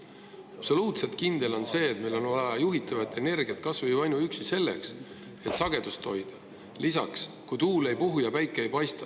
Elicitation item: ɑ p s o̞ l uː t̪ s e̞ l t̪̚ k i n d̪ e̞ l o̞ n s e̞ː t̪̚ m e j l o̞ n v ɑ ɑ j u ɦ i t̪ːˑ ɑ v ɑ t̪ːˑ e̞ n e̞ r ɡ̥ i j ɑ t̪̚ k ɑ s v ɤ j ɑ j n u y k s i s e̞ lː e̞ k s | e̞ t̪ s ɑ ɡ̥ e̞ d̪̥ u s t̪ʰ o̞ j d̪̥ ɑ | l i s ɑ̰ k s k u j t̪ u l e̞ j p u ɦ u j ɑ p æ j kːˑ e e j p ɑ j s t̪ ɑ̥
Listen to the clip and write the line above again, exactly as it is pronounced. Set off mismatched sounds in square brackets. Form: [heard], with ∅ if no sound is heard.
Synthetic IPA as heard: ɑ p s o̞ l uː t̪ s e̞ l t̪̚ k i n d̪ e̞ l o̞ n s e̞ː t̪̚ m e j l o̞ n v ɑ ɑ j u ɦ i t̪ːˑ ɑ v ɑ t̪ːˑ e̞ n e̞ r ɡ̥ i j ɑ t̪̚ k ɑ s v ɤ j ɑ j n u y k s i s e̞ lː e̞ k s | e̞ t̪ s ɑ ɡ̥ e̞ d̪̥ u s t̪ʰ o̞ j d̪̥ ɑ | l i s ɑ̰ k s k u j t̪ [uː] l e̞ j p u ɦ u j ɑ p æ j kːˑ e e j p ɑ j s t̪ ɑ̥